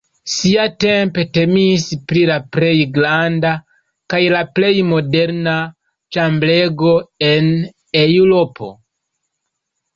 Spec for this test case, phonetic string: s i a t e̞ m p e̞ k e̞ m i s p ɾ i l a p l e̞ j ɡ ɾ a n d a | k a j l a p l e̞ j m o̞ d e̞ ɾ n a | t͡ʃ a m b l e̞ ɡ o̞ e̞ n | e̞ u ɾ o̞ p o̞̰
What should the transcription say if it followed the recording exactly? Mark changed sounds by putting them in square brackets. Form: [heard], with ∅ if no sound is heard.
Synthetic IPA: s i a t e̞ m p e̞ [t] e̞ m i s p ɾ i l a p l e̞ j ɡ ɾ a n d a | k a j l a p l e̞ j m o̞ d e̞ ɾ n a | t͡ʃ a m b l e̞ ɡ o̞ e̞ n | e̞ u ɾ o̞ p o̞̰

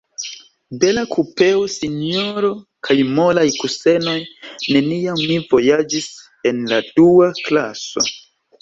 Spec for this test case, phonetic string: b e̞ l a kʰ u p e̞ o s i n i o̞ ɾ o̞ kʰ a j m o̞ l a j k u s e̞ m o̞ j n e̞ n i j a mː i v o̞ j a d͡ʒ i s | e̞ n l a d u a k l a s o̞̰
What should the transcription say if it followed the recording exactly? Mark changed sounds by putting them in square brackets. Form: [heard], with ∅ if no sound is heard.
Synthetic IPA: b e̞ l a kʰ u p e̞ o s i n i o̞ ɾ o̞ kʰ a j m o̞ l a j k u s e̞ [n] o̞ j n e̞ n i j a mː i v o̞ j a d͡ʒ i s | e̞ n l a d u a k l a s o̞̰

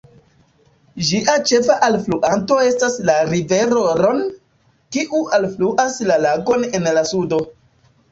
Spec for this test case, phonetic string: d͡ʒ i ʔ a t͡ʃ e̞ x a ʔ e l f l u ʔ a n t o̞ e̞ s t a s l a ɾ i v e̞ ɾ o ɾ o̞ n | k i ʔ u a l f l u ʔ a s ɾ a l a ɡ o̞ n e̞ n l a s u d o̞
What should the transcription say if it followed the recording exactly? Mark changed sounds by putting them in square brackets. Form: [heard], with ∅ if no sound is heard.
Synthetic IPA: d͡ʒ i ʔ a t͡ʃ e̞ [f] a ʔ [a] l f l u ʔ a n t o̞ e̞ s t a s l a ɾ i v e̞ ɾ o ɾ o̞ n | k i ʔ u a l f l u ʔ a s [l] a l a ɡ o̞ n e̞ n l a s u d o̞

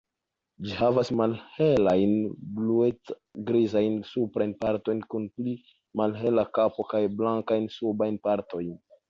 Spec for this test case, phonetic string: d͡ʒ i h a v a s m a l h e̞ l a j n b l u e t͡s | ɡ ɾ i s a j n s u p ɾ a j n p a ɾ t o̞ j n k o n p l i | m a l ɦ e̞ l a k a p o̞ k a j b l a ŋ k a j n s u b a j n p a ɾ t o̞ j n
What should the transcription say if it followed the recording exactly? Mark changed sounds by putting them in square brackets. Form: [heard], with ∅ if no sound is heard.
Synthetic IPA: d͡ʒ i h a v a s m a l h e̞ l a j n b l u e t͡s | ɡ ɾ i [z] a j n s u p ɾ a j n p a ɾ t o̞ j n k [u] n p l i | m a l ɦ e̞ l a k a p o̞ k a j b l a ŋ k a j n s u b a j n p a ɾ t o̞ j n

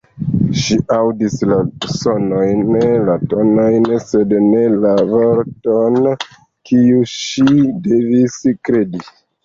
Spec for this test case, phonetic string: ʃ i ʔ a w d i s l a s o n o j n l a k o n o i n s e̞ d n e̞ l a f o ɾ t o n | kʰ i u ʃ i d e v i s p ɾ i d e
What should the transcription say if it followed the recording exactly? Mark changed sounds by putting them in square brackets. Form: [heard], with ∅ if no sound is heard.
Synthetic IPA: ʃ i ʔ a w d i s l a s o n o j n l a [t] o n o [j] n s e̞ d n e̞ l a [v] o ɾ t o n | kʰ i u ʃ i d e v i s [k] ɾ [e] d [i]

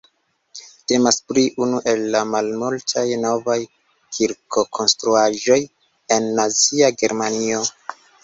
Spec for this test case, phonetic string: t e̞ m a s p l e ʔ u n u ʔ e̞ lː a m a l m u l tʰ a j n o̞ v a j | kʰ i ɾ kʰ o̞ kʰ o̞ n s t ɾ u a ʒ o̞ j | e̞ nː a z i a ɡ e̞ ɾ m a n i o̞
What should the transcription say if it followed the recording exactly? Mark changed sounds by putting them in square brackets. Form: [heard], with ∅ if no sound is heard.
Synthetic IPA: t e̞ m a s p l [i] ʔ u n u ʔ e̞ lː a m a l m u l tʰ a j n o̞ v a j | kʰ i ɾ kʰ o̞ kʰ o̞ n s t ɾ u a ʒ o̞ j | e̞ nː a z i a ɡ e̞ ɾ m a n i o̞

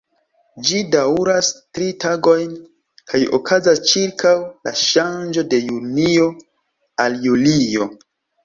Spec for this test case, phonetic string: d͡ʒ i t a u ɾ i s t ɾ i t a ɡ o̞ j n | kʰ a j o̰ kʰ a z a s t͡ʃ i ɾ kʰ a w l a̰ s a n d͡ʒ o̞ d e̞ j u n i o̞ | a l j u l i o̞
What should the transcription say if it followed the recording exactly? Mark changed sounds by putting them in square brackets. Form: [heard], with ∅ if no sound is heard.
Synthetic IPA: d͡ʒ i [d] a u ɾ [a] s t ɾ i t a ɡ o̞ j n | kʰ a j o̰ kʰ a z a s t͡ʃ i ɾ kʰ a w l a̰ [ʃ] a n d͡ʒ o̞ d e̞ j u n i o̞ | a l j u l i o̞

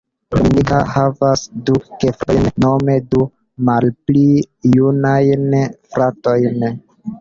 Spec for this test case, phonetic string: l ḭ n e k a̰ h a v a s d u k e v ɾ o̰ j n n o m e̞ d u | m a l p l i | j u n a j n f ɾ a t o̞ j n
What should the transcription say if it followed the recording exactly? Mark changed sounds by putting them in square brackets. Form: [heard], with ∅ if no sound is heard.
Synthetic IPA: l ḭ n [i] k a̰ h a v a s d u k e [f] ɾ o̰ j n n o m e̞ d u | m a l p l i | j u n a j n f ɾ a t o̞ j n

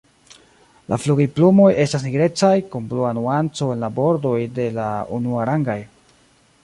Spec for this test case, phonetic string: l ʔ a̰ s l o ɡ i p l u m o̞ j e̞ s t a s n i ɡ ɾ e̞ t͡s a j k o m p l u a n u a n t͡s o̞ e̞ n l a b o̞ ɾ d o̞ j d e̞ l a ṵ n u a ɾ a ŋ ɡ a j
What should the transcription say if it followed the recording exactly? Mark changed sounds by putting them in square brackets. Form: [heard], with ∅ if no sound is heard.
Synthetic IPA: l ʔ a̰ [f] l [u] ɡ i p l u m o̞ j e̞ s t a s n i ɡ ɾ e̞ t͡s a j k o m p l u a n u a n t͡s o̞ e̞ n l a b o̞ ɾ d o̞ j d e̞ l a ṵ n u a ɾ a ŋ ɡ a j

